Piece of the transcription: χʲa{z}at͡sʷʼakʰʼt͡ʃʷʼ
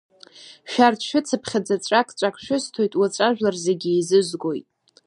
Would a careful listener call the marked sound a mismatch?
yes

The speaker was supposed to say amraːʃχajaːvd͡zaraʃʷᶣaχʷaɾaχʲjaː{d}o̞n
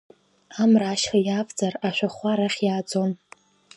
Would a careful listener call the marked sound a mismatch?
yes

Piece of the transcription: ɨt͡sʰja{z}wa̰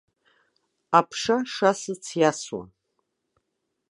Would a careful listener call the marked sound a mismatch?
yes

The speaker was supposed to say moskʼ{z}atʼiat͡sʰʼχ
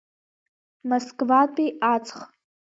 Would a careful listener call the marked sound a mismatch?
yes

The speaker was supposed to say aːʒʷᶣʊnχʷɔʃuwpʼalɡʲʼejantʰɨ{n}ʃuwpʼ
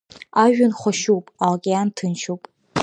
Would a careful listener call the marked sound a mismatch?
no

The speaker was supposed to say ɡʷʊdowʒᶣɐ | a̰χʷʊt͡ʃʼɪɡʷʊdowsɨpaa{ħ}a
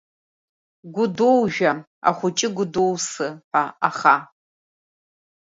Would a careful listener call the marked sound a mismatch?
yes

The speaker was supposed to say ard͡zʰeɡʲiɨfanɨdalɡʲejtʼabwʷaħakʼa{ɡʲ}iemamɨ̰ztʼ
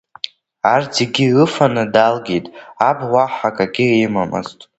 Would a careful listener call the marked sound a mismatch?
no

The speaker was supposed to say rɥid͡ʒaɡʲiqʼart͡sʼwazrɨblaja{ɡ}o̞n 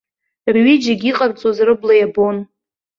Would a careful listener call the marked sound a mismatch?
yes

